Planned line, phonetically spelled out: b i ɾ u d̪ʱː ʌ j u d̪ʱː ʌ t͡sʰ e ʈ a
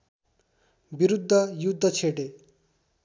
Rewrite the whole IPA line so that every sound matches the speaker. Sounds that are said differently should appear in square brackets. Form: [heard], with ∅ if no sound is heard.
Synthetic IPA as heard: b i ɾ u d̪ʱː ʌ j u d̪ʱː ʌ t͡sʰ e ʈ [e]